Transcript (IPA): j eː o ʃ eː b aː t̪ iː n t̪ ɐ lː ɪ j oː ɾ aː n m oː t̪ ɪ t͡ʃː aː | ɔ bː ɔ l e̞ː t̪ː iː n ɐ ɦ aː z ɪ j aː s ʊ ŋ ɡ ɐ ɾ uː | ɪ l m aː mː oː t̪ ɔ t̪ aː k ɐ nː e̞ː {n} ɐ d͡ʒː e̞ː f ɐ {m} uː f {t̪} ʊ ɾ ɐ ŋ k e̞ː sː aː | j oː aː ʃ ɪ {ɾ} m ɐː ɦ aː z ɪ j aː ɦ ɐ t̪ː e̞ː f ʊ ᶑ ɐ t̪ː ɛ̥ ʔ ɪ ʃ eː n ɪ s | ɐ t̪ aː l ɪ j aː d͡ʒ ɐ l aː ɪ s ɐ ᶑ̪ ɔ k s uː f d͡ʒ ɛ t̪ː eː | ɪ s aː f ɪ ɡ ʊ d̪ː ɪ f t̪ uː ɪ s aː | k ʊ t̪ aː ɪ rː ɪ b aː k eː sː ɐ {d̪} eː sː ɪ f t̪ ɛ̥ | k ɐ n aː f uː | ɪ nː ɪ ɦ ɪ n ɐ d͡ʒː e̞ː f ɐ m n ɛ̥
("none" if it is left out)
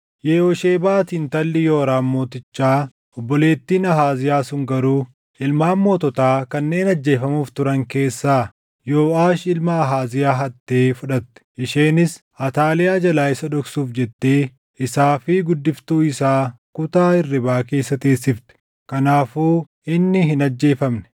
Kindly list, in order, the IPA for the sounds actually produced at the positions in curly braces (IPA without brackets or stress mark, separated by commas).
n, m, t̪, l, t̪